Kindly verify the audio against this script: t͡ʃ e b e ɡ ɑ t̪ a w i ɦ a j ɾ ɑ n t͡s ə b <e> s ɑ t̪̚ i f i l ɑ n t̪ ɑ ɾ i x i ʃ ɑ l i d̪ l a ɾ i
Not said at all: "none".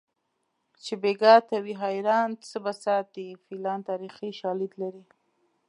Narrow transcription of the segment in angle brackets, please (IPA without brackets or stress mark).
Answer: a